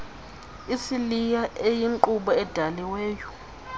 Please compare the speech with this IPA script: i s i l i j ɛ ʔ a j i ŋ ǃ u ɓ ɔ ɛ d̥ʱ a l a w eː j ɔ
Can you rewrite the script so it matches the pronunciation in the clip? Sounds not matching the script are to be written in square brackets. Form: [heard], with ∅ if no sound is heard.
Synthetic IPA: i s i l i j [a] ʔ [e] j i ŋ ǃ u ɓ ɔ ɛ d̥ʱ a l [i] w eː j ɔ